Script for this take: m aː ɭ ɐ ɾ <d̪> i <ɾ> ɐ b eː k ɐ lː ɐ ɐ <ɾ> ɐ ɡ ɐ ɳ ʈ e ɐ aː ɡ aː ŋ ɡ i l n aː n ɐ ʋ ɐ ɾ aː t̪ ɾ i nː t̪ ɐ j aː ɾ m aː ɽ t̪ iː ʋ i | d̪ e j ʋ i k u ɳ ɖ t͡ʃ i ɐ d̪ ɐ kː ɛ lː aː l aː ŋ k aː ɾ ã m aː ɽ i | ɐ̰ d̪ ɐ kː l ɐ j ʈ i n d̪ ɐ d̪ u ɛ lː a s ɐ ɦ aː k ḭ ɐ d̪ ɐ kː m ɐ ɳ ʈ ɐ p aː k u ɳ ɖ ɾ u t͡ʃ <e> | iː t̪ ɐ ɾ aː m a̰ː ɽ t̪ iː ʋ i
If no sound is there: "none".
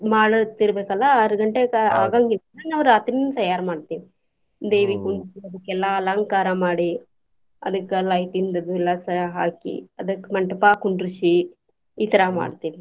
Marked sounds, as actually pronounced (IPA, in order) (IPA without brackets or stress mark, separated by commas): t̪, ɾ, ɾ, i